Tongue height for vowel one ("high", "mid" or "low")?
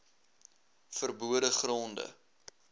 mid